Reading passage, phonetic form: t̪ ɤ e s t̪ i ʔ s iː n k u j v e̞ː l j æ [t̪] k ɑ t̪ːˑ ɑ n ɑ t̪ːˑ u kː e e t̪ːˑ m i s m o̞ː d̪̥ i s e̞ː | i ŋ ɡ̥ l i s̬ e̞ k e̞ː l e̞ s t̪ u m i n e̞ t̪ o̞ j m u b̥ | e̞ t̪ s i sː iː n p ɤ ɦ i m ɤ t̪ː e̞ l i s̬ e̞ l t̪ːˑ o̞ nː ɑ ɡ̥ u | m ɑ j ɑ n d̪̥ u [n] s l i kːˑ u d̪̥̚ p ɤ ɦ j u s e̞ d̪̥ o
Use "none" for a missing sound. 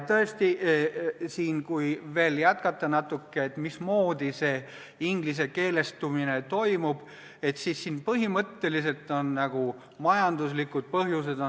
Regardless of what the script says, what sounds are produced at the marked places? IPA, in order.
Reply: t̪, none

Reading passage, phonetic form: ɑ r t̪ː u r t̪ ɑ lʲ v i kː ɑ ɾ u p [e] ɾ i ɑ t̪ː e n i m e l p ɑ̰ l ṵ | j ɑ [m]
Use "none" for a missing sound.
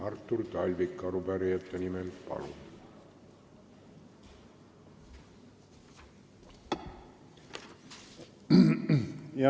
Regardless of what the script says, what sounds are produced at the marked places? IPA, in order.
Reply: æ, none

